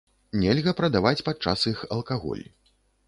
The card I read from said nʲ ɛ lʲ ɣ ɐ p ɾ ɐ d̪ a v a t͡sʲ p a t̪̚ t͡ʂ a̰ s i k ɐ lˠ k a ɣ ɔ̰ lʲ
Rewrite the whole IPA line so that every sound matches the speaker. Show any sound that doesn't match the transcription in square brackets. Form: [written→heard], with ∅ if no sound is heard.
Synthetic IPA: nʲ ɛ lʲ ɣ ɐ p ɾ ɐ d̪ a v a t͡sʲ p a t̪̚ t͡ʂ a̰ s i [k→x] ɐ lˠ k a ɣ ɔ̰ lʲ